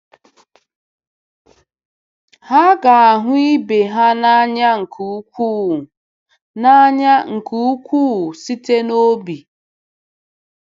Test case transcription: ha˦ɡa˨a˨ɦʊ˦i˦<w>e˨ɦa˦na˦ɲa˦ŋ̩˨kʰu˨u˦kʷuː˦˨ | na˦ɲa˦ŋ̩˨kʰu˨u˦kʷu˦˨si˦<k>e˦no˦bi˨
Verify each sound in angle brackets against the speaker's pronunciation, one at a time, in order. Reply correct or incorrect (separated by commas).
incorrect, incorrect